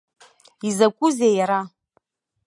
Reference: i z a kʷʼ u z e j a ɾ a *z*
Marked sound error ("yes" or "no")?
yes